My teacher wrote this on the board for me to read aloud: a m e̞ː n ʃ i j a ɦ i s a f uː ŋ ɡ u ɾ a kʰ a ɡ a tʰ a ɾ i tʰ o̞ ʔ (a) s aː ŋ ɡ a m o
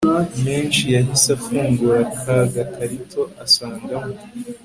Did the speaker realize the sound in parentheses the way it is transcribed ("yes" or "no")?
yes